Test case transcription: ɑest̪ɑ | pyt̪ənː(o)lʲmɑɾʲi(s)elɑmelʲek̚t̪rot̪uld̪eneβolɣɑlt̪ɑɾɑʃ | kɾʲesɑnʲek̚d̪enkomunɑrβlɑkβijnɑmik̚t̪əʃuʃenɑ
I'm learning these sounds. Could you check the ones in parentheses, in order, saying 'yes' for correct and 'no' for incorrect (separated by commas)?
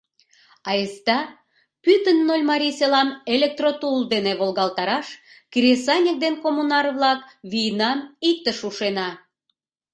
yes, yes